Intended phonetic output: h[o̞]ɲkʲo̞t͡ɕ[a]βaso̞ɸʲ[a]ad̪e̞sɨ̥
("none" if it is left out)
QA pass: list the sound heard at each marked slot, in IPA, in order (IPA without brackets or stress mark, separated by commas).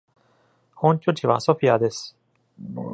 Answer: õ̞, i, i